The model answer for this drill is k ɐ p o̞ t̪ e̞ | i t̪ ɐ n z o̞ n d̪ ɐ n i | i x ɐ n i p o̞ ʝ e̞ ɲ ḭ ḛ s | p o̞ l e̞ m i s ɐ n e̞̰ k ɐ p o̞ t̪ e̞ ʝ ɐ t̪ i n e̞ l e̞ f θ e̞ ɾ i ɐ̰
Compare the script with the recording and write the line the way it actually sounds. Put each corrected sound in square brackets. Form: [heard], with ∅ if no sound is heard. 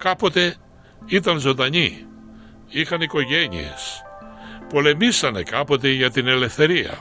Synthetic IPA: k ɐ p o̞ t̪ e̞ | i t̪ ɐ n z o̞ n d̪ ɐ [ɲ] i | i x ɐ n i [k] o̞ ʝ e̞ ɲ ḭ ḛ s | p o̞ l e̞ m i s ɐ n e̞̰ k ɐ p o̞ t̪ e̞ ʝ ɐ t̪ i n e̞ l e̞ f θ e̞ ɾ i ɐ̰